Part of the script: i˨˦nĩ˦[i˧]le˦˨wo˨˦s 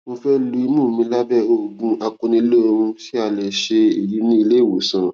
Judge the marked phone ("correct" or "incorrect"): correct